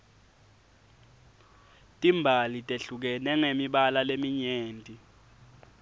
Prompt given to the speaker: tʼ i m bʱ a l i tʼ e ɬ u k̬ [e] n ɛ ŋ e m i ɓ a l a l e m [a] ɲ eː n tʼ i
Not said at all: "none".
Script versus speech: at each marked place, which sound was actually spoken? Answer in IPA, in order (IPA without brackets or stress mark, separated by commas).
ɛ, i